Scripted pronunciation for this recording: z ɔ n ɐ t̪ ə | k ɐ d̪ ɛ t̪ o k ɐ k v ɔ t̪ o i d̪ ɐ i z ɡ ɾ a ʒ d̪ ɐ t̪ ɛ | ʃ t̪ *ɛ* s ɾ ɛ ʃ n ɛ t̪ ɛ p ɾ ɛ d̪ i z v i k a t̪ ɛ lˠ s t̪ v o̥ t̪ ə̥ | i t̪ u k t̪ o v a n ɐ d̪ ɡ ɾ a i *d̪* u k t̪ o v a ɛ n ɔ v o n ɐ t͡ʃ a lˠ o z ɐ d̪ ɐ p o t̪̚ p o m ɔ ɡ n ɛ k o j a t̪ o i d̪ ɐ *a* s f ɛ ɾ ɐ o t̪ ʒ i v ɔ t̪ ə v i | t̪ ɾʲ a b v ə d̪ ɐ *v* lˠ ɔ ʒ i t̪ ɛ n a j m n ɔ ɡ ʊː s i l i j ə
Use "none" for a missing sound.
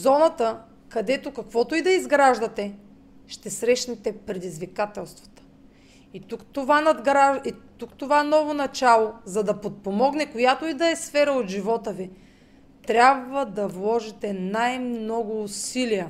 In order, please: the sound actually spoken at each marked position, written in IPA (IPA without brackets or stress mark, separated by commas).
ɛ, t̪, ɛ, v